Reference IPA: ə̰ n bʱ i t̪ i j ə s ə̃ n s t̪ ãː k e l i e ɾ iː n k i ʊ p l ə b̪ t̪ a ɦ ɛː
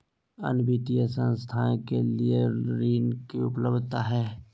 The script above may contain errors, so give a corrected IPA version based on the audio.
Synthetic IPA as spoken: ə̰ n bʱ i t̪ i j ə s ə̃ n s t̪ʰ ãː k e l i e ɾ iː n k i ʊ p l ə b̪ t̪ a ɦ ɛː

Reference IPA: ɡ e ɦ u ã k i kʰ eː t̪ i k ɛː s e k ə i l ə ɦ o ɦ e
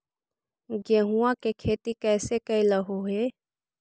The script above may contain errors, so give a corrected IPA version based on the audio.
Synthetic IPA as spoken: ɡ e ɦ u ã k e kʰ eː t̪ i k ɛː s e k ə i l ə ɦ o ɦ e

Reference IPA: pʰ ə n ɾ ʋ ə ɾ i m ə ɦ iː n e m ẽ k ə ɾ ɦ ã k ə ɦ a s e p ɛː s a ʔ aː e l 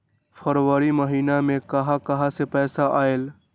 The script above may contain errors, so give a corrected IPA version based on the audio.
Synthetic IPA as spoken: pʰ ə ɾ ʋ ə ɾ i m ə ɦ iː n a m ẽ k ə ɦ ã k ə ɦ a s e p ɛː s a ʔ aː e l

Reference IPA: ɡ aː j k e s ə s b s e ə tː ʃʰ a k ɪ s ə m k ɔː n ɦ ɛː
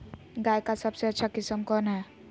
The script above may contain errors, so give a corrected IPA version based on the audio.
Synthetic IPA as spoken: ɡ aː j k a s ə b s e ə tː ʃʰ a k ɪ s ə m k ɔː n ɦ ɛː

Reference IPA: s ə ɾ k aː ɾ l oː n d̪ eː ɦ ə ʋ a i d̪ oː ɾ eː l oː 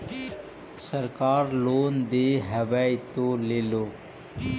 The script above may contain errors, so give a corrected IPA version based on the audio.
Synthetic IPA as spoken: s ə ɾ k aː ɾ l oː n d̪ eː ɦ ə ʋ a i t̪ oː l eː l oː

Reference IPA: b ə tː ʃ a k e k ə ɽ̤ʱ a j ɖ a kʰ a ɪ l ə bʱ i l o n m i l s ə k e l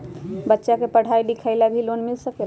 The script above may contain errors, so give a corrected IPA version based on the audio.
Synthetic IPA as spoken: b ə tː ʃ a k e p ə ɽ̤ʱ a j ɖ i kʰ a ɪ l a bʱ i l o n m i l s ə k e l

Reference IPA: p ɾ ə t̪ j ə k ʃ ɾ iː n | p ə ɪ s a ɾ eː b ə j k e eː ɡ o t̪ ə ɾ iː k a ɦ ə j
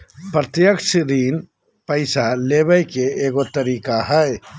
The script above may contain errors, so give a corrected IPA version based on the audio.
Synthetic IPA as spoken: p ɾ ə t̪ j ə k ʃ ɾ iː n | p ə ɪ s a l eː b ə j k e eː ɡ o t̪ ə ɾ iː k a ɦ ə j

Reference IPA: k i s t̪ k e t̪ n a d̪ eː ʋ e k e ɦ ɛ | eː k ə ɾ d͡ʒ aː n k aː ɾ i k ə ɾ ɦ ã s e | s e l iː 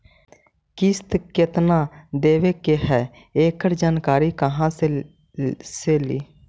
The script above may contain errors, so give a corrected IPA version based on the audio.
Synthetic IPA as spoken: k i s t̪ k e t̪ n a d̪ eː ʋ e k e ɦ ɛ | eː k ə ɾ d͡ʒ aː n k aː ɾ i k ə ɦ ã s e | s e l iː

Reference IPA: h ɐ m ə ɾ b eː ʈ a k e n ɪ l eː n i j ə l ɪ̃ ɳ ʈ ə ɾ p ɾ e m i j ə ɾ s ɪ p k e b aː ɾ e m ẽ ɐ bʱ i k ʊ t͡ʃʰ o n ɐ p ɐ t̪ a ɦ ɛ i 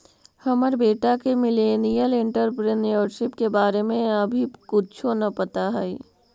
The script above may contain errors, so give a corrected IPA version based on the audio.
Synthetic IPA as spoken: h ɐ m ə ɾ b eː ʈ a k e m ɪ l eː n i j ə l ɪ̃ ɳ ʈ ə ɾ p ɾ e n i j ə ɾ ʃ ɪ p k e b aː ɾ e m ẽ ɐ bʱ i k ʊ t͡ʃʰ o n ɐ p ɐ t̪ a ɦ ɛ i

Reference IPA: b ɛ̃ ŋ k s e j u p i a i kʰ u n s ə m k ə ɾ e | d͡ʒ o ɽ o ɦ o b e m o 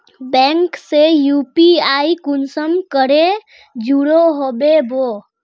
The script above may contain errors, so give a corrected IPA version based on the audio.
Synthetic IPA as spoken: b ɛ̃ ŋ k s e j u p i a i k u n s ə m k ə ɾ e | d͡ʒ u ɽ o ɦ o b e b o

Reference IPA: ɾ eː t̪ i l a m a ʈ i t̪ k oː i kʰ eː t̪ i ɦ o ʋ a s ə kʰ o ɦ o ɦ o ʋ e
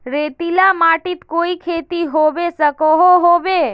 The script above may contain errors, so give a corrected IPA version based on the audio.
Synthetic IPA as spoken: ɾ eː t̪ i l a m a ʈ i t̪ k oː i kʰ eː t̪ i ɦ o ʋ e s ə k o ɦ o ɦ o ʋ e

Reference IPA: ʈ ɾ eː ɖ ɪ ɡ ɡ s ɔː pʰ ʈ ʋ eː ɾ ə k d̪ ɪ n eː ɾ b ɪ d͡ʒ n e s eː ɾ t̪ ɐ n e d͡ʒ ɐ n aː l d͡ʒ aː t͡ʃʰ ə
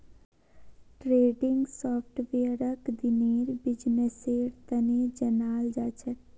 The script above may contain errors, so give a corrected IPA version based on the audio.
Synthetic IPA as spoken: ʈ ɾ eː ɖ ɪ ŋ ɡ s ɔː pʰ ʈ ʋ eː ɾ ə k d̪ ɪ n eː ɾ b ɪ d͡ʒ n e s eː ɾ t̪ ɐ n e d͡ʒ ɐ n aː l d͡ʒ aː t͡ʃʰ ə

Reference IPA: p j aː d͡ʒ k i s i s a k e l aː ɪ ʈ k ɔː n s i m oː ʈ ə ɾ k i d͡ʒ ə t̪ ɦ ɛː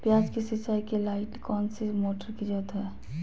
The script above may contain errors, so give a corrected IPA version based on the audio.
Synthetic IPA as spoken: p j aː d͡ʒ k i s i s a k e l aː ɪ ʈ k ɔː n s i m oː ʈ ə ɾ k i d͡ʒ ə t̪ ɦ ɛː

